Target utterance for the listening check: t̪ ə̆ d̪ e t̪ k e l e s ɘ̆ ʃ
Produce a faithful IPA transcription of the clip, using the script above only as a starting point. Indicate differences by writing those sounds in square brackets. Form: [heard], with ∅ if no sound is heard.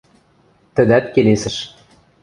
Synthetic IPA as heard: t̪ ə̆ d̪ [æ] t̪ k e l e s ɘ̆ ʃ